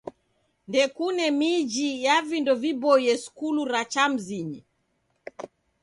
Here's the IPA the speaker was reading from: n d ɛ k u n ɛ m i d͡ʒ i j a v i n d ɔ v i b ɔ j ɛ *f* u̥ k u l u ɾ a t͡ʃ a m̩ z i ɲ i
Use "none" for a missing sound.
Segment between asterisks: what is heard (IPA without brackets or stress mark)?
s